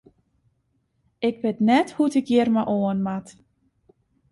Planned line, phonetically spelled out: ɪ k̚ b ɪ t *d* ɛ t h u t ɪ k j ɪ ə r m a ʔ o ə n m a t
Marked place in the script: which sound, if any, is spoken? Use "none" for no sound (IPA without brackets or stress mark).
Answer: n